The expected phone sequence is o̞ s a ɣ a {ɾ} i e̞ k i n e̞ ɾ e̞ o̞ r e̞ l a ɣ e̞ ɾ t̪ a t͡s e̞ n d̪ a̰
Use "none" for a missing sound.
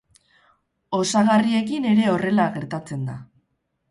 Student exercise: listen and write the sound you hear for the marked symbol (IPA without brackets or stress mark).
r